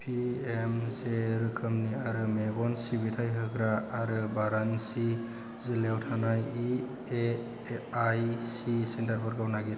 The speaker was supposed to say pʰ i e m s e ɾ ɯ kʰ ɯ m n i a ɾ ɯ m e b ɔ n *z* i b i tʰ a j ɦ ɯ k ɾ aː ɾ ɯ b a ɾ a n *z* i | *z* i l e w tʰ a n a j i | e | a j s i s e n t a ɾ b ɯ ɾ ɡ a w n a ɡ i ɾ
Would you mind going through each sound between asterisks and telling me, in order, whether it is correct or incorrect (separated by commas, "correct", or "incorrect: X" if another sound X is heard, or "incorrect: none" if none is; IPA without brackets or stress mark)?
incorrect: s, incorrect: s, correct